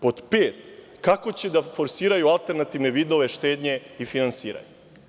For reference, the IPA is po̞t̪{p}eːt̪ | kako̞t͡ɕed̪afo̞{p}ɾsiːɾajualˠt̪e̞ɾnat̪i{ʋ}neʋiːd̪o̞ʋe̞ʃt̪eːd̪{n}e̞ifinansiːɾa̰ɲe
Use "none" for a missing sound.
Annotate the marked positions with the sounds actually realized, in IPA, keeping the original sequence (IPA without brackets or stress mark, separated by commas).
p, none, ʋ, ɲ